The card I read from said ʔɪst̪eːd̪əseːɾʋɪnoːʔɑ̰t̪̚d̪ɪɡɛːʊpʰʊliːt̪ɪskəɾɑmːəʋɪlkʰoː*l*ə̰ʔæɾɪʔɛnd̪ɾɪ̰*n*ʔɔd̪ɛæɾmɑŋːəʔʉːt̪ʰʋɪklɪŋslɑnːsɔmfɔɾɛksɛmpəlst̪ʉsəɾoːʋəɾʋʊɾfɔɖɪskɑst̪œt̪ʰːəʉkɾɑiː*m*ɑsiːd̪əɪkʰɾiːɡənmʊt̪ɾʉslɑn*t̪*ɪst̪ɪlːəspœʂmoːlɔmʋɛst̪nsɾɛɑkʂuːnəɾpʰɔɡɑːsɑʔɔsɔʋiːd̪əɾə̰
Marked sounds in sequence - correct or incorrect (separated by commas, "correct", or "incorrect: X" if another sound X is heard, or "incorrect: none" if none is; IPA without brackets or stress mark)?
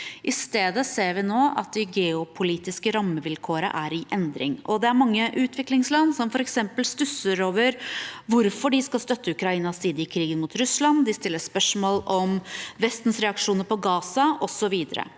incorrect: ɾ, incorrect: ŋ, incorrect: n, incorrect: d̪